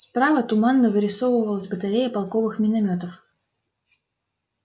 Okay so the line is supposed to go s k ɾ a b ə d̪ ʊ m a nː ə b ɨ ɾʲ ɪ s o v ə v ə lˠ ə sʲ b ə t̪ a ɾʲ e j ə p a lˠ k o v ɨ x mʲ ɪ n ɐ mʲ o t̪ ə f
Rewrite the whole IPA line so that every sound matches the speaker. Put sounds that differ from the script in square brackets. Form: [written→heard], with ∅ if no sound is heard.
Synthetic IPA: s [k→p] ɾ a [b→v] ə [d̪→t̪] ʊ m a nː ə [b→v] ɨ ɾʲ ɪ s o v ə v ə lˠ ə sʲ b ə t̪ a ɾʲ e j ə p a lˠ k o v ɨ x mʲ ɪ n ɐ mʲ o t̪ ə f